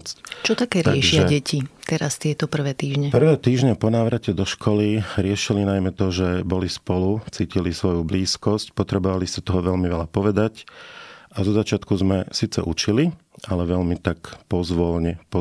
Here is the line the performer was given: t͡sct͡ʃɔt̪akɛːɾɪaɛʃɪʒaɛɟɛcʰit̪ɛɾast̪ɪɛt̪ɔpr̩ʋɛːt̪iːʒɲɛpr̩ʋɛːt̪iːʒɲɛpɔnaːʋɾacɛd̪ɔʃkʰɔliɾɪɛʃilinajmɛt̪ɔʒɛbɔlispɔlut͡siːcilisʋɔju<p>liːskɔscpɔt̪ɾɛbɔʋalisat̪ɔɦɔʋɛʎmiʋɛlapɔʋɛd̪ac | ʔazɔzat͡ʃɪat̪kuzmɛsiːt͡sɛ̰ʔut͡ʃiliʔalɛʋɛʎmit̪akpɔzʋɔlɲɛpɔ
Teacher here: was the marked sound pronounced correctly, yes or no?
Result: no